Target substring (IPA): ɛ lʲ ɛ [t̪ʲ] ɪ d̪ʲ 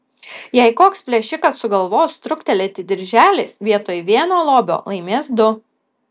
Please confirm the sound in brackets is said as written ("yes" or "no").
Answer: yes